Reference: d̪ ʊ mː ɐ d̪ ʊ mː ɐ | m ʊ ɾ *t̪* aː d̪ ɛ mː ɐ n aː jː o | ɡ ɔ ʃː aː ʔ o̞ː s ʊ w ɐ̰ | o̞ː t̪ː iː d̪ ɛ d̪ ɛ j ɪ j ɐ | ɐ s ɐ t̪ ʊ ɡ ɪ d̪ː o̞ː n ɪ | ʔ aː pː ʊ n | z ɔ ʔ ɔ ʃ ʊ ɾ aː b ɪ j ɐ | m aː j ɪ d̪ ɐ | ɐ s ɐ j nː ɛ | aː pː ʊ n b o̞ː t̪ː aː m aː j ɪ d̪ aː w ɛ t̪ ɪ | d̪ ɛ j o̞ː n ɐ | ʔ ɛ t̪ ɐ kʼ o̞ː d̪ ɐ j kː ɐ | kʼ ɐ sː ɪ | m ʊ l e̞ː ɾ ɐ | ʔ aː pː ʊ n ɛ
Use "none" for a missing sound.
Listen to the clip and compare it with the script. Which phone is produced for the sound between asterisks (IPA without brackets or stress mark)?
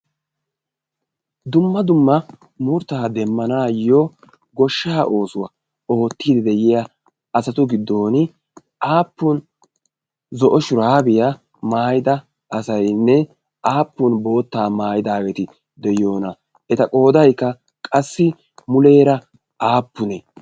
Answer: t̪